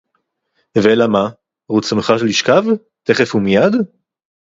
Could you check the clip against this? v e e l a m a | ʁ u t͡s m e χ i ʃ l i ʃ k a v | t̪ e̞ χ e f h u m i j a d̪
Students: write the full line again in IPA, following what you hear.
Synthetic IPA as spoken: v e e l a m a | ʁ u t͡s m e χ a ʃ l i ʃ k a v | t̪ e̞ χ e f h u m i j a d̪

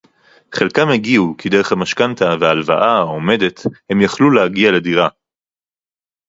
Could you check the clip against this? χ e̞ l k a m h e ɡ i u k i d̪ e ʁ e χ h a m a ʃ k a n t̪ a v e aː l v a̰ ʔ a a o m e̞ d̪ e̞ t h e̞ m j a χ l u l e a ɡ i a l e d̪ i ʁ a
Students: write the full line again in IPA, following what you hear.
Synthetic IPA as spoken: χ e̞ l k a m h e ɡ i u k i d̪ e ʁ e χ h a m a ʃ k a n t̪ a v e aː l v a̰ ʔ a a o m e̞ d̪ e̞ t h e̞ m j a χ l u l e a ɡ i a l e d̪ i ʁ a

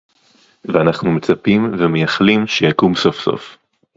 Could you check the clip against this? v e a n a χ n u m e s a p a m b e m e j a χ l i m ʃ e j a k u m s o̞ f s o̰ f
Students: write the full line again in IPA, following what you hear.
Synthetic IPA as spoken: v e a n a χ n u m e t͡s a p i m v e m e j a χ l i m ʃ e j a k u m s o̞ f s o̰ f

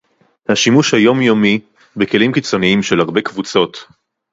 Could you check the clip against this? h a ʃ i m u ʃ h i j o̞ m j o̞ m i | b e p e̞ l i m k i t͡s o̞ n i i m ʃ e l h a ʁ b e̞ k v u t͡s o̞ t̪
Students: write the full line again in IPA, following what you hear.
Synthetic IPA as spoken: h a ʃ i m u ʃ h a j o̞ m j o̞ m i | b e k e̞ l i m k i t͡s o̞ n i i m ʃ e l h a ʁ b e̞ k v u t͡s o̞ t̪

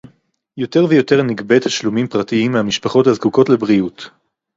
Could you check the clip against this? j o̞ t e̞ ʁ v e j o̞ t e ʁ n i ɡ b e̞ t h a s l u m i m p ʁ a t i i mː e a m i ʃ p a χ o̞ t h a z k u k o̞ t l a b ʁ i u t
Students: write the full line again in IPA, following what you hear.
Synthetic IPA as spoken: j o̞ t e̞ ʁ v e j o̞ t e ʁ n i ɡ b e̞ t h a ʃ l u m i m p ʁ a t i i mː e a m i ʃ p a χ o̞ t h a z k u k o̞ t l e b ʁ i u t

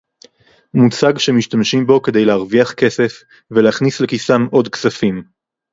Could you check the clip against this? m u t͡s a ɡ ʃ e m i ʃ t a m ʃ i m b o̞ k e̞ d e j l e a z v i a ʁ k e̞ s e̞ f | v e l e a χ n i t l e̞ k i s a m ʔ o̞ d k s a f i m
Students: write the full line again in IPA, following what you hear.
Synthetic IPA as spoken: m u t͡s a ɡ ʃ e m i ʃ t a m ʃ i m b o̞ k e̞ d e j l e a ʁ v i a χ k e̞ s e̞ f | v e l e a χ n i s l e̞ k i s a m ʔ o̞ d k s a f i m

